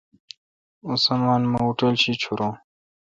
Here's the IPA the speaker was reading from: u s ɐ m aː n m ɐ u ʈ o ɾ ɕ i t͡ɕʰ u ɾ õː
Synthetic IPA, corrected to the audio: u s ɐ m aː n m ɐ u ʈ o l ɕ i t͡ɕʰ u ɾ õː